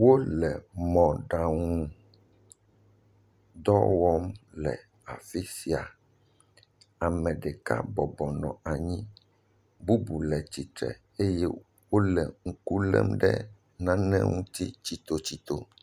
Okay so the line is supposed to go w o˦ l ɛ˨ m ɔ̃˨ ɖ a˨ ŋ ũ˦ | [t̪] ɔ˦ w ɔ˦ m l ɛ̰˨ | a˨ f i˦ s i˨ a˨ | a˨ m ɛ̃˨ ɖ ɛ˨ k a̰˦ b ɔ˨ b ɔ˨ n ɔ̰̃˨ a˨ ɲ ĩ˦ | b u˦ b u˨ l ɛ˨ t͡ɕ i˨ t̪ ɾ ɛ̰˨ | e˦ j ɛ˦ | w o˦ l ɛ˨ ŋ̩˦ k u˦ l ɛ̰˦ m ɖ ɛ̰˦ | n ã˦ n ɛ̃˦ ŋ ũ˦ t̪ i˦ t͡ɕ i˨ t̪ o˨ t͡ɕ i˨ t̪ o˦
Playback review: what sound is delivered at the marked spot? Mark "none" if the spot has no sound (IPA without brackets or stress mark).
d̪